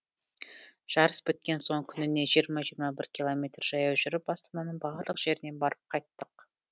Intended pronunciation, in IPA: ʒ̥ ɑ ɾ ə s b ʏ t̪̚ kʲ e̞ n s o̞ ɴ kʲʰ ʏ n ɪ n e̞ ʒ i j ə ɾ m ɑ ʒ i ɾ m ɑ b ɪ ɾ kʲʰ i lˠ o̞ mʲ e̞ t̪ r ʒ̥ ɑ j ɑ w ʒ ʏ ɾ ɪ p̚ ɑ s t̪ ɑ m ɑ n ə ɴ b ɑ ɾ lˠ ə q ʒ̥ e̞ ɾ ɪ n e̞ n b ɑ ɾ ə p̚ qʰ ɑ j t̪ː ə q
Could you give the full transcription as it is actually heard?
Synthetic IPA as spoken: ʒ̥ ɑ ɾ ə s b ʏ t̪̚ kʲ e̞ n s o̞ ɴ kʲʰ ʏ n ɪ n e̞ ʒ i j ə ɾ m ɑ ʒ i ɾ m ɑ b ɪ ɾ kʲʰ i lˠ o̞ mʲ e̞ t̪ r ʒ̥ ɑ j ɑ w ʒ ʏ ɾ ɪ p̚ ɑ s t̪ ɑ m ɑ n ə ɴ b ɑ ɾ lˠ ə q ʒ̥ e̞ ɾ ɪ n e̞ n b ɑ ɾ ə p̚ qʰ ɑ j t̪ː ə q